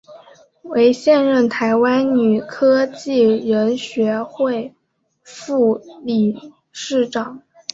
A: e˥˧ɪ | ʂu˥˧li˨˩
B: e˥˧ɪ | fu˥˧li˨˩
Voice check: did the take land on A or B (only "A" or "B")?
B